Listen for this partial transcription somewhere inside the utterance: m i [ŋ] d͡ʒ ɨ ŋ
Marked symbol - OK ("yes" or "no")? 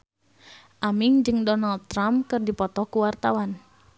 yes